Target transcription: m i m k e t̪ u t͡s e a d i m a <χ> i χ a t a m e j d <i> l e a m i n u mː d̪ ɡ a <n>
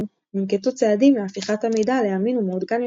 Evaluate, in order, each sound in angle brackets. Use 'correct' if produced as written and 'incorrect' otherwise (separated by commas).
incorrect, incorrect, correct